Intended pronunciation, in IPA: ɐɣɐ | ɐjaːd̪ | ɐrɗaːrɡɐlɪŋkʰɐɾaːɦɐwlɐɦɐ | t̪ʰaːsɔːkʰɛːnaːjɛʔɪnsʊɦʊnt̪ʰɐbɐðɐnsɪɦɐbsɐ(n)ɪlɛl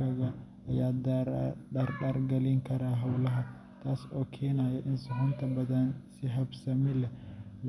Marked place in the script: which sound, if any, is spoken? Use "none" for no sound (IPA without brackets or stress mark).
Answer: m